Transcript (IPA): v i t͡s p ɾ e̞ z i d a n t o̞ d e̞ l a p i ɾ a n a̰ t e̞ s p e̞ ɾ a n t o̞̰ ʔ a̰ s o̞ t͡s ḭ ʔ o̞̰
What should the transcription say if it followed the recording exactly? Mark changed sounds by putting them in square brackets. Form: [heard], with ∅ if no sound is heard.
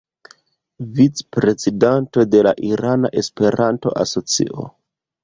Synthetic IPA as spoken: v i t͡s p ɾ e̞ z i d a n t o̞ d e̞ l a [ʔ] i ɾ a n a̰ [ʔ] e̞ s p e̞ ɾ a n t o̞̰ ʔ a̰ s o̞ t͡s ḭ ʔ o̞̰